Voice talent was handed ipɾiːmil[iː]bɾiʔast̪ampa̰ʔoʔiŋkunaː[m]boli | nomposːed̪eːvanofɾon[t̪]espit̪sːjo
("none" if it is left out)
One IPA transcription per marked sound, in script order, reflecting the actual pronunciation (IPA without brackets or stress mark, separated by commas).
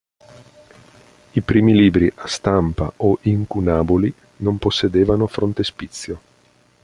iː, none, t̪